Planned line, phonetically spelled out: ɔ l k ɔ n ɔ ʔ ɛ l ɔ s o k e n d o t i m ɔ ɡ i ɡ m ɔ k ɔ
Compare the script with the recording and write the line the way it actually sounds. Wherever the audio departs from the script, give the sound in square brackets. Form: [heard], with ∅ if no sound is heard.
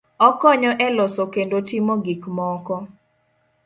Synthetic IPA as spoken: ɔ [∅] k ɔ [ɲ] ɔ ʔ ɛ l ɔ s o k e n d o t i m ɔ ɡ i [k] m ɔ k ɔ